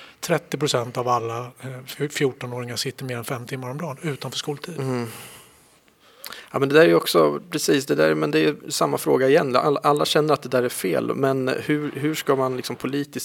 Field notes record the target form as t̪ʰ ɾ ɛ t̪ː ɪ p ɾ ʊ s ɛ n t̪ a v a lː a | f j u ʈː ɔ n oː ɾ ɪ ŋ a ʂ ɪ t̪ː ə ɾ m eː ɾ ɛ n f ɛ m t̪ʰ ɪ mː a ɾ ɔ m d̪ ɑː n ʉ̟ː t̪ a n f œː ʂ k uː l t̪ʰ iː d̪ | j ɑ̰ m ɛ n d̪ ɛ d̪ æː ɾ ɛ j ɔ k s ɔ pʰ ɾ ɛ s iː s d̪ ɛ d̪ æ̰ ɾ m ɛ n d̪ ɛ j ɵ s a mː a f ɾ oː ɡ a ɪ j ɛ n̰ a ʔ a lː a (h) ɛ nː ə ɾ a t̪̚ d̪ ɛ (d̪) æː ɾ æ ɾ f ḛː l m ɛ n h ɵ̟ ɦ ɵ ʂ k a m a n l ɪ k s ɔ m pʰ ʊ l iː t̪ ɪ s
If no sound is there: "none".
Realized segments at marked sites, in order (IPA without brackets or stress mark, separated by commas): ɕ, d̪